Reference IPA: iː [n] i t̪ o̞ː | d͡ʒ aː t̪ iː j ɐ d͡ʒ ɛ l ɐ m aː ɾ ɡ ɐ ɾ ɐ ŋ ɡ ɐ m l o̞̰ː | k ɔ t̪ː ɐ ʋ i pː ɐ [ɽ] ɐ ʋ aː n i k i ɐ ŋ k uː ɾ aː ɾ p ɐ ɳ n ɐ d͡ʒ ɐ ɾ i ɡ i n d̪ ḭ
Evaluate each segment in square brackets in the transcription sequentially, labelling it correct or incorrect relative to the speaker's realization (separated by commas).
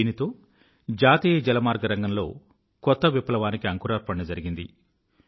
correct, incorrect